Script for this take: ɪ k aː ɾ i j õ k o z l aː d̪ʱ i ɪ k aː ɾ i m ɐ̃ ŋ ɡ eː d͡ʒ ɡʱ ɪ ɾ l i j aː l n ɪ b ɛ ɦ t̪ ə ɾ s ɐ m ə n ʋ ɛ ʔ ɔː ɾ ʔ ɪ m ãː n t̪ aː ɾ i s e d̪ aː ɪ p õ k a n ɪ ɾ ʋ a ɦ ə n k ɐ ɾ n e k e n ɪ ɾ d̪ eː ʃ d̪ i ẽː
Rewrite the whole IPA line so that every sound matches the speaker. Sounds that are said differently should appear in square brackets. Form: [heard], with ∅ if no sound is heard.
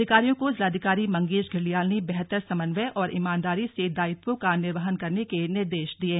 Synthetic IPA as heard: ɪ k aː ɾ i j õ k o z l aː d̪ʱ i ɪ k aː ɾ i m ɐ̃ ŋ ɡ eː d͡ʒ ɡʱ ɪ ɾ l i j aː l n [i] b ɛ ɦ t̪ ə ɾ s ɐ m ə n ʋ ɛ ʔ ɔː ɾ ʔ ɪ m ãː n [d̪] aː ɾ i s e d̪ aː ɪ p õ k a n ɪ ɾ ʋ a ɦ ə n k ɐ ɾ n e k e n ɪ ɾ d̪ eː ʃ d̪ i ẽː